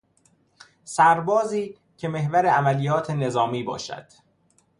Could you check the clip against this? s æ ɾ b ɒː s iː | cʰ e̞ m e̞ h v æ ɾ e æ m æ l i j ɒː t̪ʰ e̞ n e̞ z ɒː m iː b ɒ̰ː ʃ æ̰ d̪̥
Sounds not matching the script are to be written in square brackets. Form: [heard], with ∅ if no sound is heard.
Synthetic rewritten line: s æ ɾ b ɒː [z] iː | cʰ e̞ m e̞ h v æ ɾ e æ m æ l i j ɒː t̪ʰ e̞ n e̞ z ɒː m iː b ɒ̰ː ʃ æ̰ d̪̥

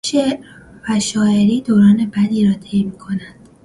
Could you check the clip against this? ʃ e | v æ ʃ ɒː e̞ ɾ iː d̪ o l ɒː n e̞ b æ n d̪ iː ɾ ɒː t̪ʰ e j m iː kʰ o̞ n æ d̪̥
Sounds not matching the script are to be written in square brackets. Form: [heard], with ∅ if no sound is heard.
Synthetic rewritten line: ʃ e | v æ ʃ ɒː e̞ ɾ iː d̪ o [ɾ] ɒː n e̞ b æ [∅] d̪ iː ɾ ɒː t̪ʰ e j m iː kʰ o̞ n æ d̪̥

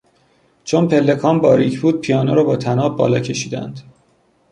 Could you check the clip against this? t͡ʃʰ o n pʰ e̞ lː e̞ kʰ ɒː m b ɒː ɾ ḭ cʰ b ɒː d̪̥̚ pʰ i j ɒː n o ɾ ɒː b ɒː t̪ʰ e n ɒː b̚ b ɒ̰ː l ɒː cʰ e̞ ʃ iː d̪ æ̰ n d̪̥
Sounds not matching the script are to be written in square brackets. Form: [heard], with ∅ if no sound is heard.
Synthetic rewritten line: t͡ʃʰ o n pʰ e̞ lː e̞ kʰ ɒː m b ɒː ɾ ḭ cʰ b [uː] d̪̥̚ pʰ i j ɒː n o ɾ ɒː b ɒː t̪ʰ [æ] n ɒː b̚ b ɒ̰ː l ɒː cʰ e̞ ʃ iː d̪ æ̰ n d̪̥

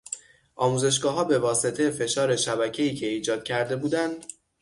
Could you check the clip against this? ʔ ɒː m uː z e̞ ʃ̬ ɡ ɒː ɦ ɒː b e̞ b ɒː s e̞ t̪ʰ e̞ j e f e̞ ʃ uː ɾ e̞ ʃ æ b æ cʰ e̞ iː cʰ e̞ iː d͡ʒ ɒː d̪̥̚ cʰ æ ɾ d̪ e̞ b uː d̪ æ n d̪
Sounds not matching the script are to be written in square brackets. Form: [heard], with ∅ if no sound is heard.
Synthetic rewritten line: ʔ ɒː m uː z e̞ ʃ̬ ɡ ɒː ɦ ɒː b e̞ [v] ɒː s e̞ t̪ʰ e̞ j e f e̞ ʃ [ɒː] ɾ e̞ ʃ æ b æ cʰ e̞ iː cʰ e̞ iː d͡ʒ ɒː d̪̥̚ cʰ æ ɾ d̪ e̞ b uː d̪ æ n d̪

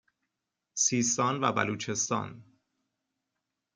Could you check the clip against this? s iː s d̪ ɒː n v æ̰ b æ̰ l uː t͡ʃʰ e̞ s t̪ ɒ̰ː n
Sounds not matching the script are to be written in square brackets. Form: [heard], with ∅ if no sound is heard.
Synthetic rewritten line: s iː s [t̪] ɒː n v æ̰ b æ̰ l uː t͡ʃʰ e̞ s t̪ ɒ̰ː n

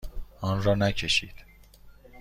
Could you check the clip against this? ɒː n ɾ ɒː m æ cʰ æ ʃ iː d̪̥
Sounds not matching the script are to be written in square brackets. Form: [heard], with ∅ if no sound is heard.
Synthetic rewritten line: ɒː n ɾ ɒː [n] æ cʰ [e] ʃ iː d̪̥

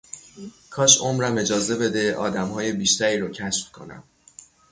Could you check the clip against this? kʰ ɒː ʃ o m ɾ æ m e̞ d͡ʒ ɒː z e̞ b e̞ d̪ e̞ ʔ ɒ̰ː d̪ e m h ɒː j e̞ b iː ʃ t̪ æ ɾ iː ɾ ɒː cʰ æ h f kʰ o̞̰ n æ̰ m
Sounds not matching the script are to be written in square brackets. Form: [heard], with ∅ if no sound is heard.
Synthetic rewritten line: kʰ ɒː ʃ o m ɾ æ m e̞ d͡ʒ ɒː z e̞ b e̞ d̪ e̞ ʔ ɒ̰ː d̪ [æ] m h ɒː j e̞ b iː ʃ t̪ æ ɾ iː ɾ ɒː cʰ æ [ʃ] f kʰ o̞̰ n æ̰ m

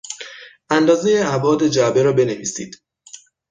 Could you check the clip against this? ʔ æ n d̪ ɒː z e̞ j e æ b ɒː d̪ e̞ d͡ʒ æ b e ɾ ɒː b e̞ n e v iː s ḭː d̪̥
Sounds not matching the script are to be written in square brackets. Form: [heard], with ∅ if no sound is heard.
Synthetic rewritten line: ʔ æ n d̪ ɒː z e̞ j e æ b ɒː d̪ e̞ d͡ʒ æ b e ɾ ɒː b e̞ n e v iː s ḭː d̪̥

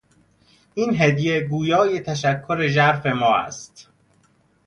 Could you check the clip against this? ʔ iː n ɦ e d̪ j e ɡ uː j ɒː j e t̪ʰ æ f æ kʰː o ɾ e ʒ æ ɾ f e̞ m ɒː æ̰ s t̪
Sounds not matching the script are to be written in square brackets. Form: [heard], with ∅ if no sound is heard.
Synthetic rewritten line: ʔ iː n ɦ e d̪ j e ɡ uː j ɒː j e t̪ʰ æ [ʃ] æ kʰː o ɾ e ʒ æ ɾ f e̞ m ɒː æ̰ s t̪

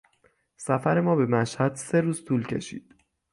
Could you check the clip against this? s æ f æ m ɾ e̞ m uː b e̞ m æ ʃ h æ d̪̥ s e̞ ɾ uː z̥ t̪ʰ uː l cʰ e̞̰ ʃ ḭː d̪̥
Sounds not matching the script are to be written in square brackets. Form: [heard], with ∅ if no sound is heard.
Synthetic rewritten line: s æ f æ [∅] ɾ e̞ m [ɒː] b e̞ m æ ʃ h æ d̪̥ s e̞ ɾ uː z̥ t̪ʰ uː l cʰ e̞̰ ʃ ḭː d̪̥

